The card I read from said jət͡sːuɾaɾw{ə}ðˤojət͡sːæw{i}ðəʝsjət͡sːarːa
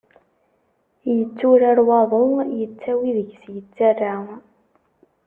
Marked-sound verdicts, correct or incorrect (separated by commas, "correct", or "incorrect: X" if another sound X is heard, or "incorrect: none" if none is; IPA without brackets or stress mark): incorrect: ɑ, correct